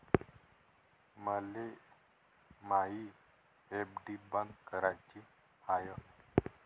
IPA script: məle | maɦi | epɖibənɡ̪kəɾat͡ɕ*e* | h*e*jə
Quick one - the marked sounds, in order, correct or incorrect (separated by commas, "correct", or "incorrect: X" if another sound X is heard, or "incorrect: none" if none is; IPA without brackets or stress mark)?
incorrect: i, incorrect: a